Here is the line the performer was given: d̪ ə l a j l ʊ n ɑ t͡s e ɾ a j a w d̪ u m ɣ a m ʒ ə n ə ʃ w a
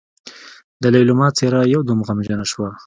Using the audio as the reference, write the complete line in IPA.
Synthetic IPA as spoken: d̪ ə l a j l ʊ m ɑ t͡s e ɾ a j a w d̪ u m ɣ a m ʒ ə n a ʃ w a